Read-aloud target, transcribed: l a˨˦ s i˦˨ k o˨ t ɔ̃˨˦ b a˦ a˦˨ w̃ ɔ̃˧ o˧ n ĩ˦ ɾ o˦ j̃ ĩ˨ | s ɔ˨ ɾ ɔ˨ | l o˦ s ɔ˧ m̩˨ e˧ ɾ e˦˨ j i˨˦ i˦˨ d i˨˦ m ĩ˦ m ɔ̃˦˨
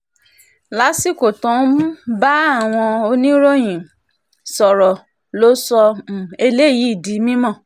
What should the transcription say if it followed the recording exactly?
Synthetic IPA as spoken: l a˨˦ s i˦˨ k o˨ t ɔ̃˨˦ b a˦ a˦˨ w̃ ɔ̃˧ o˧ n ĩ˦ ɾ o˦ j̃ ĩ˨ | s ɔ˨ ɾ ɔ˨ | l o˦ s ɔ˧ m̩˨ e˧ l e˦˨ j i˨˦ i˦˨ d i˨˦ m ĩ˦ m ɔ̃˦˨

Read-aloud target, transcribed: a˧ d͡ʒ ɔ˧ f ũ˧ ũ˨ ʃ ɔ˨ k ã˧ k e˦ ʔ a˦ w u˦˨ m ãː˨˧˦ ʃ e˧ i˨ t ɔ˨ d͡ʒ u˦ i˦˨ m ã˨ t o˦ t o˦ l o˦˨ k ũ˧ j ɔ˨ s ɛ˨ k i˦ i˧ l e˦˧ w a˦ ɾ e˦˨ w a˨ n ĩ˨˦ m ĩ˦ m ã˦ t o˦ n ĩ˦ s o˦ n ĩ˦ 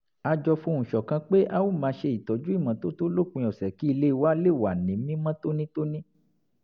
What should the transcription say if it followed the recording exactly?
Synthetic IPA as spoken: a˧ d͡ʒ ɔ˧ f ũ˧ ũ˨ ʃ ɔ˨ k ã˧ k͡p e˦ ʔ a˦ w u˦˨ m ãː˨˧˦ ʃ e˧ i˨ t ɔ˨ d͡ʒ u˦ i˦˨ m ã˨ t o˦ t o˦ l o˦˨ k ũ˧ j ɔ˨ s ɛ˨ k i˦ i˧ l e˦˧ w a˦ l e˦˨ w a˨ n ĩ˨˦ m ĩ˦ m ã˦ t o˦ n ĩ˦ t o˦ n ĩ˦

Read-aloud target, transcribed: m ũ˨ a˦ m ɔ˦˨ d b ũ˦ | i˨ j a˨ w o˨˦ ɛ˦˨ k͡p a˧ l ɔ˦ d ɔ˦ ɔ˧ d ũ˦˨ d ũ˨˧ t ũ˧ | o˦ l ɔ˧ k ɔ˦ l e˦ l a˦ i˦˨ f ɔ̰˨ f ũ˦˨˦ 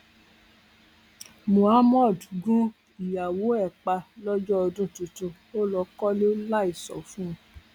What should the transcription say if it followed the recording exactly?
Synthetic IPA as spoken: m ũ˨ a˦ m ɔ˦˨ d ɡ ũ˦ | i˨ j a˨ w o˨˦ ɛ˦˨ k͡p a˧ l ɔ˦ d͡ʒ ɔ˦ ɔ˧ d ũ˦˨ t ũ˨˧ t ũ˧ | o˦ l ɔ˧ k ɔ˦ l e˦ l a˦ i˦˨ s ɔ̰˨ f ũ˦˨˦

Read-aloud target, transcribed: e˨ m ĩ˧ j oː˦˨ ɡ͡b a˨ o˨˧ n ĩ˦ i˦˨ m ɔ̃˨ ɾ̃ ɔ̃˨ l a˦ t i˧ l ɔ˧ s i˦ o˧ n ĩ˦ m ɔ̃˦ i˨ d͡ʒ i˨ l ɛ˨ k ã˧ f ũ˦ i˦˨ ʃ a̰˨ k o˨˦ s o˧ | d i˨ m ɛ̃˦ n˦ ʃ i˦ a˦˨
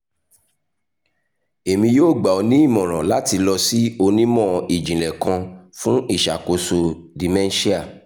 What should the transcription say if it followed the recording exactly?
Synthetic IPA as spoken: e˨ m ĩ˧ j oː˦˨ ɡ͡b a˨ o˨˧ n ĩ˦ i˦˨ m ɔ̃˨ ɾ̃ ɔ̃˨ l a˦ t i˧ l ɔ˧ s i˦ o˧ n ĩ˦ m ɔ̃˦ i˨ d͡ʒ ĩ˨ l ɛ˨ k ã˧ f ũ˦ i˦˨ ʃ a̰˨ k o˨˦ s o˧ | d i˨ m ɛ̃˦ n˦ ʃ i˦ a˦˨

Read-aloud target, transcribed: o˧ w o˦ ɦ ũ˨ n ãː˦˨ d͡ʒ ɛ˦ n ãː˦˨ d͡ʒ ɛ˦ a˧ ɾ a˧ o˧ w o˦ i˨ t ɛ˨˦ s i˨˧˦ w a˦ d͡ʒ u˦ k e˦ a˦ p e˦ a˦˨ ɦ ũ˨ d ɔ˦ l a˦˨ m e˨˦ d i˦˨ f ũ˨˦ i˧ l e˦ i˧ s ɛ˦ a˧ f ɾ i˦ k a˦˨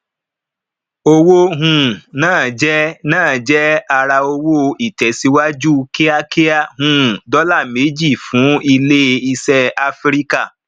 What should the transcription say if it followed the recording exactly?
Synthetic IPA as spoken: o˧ w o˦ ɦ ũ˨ n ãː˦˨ d͡ʒ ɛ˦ n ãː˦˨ d͡ʒ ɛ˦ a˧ ɾ a˧ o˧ w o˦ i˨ t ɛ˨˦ s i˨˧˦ w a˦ d͡ʒ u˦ k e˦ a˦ k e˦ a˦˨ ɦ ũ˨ d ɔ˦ l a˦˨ m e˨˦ d͡ʒ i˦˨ f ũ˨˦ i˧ l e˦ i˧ s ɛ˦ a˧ f ɾ i˦ k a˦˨

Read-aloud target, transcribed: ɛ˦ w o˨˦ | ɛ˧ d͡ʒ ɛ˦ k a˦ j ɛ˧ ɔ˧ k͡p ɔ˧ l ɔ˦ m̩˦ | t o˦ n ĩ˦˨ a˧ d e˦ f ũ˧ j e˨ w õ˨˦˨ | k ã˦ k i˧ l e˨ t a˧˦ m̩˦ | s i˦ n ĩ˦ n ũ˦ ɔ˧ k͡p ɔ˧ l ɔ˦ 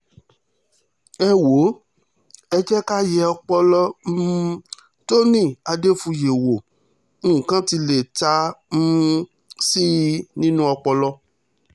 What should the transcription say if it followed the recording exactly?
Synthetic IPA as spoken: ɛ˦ w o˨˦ | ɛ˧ d͡ʒ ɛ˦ k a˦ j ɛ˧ ɔ˧ k͡p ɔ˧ l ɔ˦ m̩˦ | t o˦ n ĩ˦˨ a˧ d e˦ f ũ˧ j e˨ w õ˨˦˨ | k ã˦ t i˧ l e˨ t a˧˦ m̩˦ | s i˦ n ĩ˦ n ũ˦ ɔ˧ k͡p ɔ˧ l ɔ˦

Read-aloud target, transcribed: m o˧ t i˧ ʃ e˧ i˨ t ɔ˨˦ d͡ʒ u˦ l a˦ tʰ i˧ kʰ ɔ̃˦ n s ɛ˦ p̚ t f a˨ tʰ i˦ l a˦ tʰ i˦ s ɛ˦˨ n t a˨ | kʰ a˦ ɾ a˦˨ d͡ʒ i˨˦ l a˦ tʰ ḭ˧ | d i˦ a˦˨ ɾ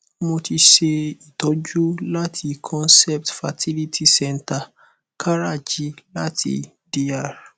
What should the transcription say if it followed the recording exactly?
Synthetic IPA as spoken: m o˧ t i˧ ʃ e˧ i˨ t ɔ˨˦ d͡ʒ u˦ l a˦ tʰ i˧ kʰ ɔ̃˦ n s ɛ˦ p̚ t f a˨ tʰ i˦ l i˦ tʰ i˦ s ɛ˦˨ n t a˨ | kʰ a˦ ɾ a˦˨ d͡ʒ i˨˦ l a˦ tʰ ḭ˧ | d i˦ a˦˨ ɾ

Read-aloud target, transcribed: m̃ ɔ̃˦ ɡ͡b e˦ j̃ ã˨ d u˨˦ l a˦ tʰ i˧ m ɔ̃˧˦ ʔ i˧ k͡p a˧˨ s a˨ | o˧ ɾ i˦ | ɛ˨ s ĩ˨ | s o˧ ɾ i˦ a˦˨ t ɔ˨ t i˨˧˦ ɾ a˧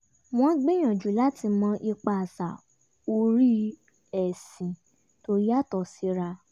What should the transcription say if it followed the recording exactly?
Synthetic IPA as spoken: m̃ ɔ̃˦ ɡ͡b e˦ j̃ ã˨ d͡ʒ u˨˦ l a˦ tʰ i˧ m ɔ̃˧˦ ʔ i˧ k͡p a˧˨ s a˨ | o˧ ɾ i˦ | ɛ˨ s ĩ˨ | t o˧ ɾ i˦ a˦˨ t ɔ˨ s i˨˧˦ ɾ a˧

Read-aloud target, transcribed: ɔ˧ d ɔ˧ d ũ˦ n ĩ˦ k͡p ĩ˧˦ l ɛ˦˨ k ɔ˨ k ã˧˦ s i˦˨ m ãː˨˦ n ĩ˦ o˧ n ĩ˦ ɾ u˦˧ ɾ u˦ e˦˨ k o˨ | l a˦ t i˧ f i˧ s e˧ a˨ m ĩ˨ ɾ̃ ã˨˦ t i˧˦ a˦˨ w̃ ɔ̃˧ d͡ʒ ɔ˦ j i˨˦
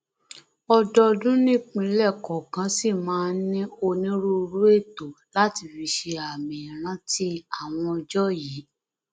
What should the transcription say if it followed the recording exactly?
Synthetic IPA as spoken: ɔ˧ d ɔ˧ d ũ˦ n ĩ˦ k͡p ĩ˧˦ l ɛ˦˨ k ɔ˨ k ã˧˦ s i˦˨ m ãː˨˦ n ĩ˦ o˧ n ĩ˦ ɾ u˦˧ ɾ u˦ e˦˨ t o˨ | l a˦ t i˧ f i˧ ʃ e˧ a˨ m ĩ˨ ɾ̃ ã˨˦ t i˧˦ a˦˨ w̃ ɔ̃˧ d͡ʒ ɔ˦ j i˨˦

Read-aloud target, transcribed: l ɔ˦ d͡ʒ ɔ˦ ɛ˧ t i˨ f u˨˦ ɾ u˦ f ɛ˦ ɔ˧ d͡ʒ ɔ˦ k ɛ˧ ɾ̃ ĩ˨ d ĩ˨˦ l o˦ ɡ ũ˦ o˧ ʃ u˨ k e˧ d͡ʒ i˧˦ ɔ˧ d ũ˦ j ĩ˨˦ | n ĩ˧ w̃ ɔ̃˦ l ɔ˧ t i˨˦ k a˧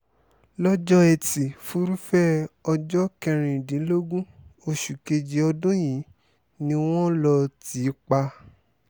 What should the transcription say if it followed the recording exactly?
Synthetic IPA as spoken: l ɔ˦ d͡ʒ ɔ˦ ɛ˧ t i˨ f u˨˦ ɾ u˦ f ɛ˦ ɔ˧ d͡ʒ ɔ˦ k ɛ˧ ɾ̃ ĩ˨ d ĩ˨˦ l o˦ ɡ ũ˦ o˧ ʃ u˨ k e˧ d͡ʒ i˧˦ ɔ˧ d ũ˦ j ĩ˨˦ | n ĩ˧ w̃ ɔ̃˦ l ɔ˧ t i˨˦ k͡p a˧

